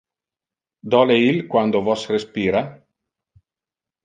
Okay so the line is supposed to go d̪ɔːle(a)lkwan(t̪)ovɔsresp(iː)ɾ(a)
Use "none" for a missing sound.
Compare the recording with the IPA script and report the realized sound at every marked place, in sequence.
i, d̪, iː, a

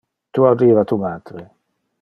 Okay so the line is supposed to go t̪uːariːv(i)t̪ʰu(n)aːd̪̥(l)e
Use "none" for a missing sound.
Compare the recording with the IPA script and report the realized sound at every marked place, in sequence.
a, m, ɾ

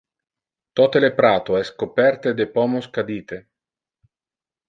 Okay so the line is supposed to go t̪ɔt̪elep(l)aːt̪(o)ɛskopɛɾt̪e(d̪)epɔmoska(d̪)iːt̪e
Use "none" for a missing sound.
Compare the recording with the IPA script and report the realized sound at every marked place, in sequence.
ɾ, o, d̪, d̪

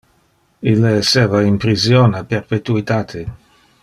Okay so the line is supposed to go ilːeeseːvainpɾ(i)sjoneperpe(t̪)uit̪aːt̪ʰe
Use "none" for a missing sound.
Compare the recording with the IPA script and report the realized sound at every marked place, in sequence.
i, t̪

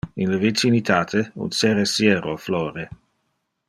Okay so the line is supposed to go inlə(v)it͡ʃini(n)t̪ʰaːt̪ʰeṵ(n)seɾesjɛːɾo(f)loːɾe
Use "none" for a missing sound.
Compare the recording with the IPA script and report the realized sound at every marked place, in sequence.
v, none, n, f

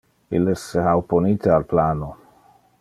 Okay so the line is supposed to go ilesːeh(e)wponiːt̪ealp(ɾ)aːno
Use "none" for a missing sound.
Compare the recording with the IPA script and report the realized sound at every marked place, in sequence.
a, l

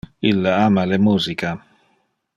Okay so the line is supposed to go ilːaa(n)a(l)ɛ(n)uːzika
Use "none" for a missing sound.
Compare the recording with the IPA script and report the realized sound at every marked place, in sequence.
m, l, m

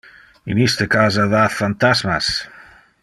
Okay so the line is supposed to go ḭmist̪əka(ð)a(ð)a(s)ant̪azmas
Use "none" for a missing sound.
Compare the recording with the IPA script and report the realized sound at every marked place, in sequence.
z, ð, f

